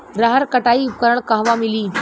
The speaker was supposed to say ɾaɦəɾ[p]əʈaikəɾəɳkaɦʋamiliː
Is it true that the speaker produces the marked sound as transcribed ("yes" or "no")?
no